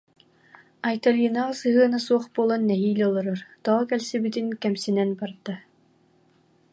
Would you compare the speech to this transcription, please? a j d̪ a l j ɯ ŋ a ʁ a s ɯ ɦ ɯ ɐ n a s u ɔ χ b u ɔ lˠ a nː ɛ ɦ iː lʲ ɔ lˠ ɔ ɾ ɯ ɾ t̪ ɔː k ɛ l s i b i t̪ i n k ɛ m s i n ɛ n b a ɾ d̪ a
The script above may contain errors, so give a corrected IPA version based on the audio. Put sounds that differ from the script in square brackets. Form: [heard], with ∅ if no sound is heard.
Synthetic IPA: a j [t̪] a l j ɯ [n] a ʁ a s ɯ ɦ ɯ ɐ n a s u ɔ χ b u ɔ lˠ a nː ɛ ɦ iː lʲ ɔ lˠ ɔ ɾ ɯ ɾ t̪ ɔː k ɛ l s i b i t̪ i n k ɛ m s i n ɛ n b a ɾ d̪ a